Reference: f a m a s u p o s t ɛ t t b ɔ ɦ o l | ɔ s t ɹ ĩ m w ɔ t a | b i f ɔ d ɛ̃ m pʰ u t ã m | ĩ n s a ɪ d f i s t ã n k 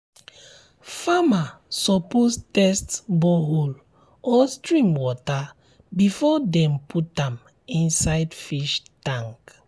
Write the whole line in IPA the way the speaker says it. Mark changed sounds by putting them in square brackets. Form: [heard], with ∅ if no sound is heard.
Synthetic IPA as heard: f a m a s [ɔ] p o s t ɛ [s] t b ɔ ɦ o l | ɔ s t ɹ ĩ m w ɔ t a | b i f ɔ d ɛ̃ m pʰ u t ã m | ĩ n s a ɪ d f i [ʃ] t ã [ŋ] k